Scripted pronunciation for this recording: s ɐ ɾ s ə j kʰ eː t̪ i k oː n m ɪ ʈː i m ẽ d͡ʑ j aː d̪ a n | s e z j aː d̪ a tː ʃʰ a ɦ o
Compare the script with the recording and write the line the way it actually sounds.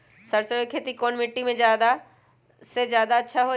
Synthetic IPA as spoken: s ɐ ɾ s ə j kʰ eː t̪ i k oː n m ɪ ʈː i m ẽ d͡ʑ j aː d̪ a | s e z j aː d̪ a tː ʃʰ a ɦ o